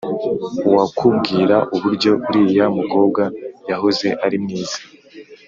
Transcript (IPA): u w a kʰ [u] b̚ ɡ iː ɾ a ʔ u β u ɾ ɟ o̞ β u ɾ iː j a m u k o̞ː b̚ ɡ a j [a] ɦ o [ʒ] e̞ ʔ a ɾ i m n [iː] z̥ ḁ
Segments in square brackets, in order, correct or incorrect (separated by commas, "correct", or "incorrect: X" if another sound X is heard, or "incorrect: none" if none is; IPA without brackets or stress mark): correct, correct, incorrect: z, correct